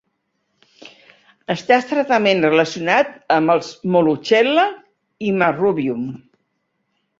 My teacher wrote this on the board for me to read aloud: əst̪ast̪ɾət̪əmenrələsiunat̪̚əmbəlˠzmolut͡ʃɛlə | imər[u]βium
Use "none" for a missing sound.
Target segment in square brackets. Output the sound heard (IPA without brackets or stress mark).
u